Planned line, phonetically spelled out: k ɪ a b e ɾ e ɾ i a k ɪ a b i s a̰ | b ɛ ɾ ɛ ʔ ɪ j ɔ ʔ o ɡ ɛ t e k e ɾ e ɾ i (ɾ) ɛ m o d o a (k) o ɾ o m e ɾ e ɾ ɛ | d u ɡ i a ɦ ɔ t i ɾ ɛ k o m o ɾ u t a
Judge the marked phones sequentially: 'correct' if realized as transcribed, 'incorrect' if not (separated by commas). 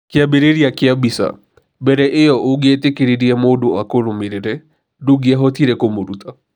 incorrect, correct